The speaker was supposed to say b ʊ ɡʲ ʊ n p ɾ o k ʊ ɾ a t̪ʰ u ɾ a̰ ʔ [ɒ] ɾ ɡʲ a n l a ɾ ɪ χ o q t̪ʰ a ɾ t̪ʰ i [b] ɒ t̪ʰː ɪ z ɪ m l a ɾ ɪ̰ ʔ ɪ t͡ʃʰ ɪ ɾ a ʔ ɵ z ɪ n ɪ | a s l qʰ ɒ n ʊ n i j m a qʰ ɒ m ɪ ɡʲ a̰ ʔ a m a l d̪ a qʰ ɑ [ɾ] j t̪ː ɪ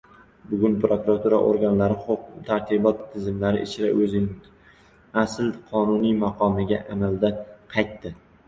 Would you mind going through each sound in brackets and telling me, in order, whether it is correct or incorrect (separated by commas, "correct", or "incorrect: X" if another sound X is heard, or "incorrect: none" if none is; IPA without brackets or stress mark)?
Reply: incorrect: o, correct, incorrect: none